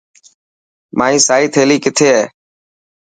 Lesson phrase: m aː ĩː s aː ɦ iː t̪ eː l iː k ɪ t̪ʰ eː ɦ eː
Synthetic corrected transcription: m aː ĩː s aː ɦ iː t̪ʰ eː l iː k ɪ t̪ʰ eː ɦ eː

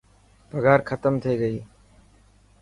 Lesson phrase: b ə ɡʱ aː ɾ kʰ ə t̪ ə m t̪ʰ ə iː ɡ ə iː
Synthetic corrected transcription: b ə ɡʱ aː ɾ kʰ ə t̪ ə m t̪ʰ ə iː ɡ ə iː

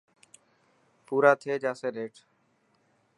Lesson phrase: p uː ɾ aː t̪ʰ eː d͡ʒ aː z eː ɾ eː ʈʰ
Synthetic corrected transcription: p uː ɾ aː t̪ʰ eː d͡ʒ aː s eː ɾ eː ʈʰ

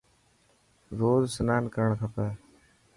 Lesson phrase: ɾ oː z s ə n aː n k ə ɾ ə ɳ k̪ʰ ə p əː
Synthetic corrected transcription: ɾ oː z s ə n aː n k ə ɾ ə ɳ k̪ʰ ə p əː

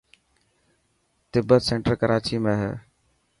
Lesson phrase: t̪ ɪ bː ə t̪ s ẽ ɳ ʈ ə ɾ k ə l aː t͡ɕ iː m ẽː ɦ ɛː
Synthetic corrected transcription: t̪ ɪ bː ə t̪ s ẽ ɳ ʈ ə ɾ k ə ɾ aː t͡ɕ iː m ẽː ɦ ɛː

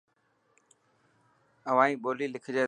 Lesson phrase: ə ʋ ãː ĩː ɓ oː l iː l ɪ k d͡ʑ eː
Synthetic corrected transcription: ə ʋ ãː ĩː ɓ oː l iː l ɪ kʰ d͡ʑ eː

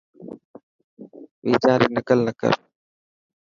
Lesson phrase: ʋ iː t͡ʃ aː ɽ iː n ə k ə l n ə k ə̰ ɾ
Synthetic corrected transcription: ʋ iː t͡ʃ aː ɾ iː n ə k ə l n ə k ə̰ ɾ

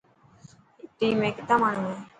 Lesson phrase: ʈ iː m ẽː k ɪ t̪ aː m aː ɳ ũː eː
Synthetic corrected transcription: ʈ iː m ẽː k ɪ t̪ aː m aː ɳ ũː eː

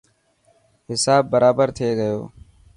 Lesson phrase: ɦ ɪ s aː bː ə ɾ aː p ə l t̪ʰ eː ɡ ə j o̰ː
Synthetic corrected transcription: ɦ ɪ s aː bː ə ɾ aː b ə ɾ t̪ʰ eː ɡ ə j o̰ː

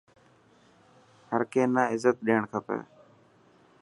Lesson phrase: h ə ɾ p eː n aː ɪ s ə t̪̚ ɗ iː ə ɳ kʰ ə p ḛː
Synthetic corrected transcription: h ə ɾ k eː n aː ɪ z ə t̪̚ ɗ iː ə ɳ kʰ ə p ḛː

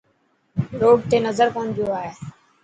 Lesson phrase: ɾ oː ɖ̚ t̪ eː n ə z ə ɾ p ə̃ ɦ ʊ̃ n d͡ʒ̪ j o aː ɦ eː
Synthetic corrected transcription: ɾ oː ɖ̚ t̪ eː n ə z ə ɾ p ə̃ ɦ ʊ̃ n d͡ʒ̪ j o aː ɦ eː

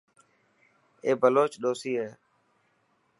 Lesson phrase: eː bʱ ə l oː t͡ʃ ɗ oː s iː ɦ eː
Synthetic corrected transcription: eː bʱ ə l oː t͡ʃ ɗ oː s iː ɦ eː

